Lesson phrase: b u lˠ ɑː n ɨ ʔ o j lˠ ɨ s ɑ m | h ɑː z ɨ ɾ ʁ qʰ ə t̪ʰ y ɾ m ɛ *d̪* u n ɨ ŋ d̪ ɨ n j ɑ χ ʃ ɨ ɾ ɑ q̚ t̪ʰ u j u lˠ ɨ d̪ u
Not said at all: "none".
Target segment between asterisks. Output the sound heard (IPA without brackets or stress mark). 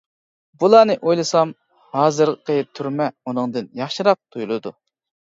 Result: none